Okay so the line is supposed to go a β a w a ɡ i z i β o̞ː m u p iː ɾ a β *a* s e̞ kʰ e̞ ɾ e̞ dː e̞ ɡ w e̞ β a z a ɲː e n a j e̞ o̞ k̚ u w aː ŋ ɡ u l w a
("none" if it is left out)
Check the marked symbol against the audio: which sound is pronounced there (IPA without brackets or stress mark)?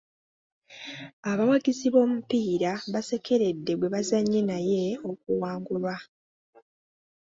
a